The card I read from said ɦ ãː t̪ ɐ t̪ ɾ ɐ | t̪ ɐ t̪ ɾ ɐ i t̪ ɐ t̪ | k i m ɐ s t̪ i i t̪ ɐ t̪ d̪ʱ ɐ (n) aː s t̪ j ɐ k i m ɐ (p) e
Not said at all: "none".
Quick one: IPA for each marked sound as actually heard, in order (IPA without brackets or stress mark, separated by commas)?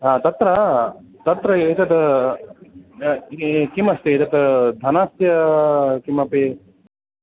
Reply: n, p